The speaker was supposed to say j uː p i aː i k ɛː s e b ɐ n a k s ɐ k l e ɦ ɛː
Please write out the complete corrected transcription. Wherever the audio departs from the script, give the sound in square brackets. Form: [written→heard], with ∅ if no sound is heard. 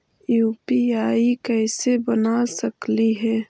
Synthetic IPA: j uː p i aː i k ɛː s e b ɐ n a [k→∅] s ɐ k l [e→i] ɦ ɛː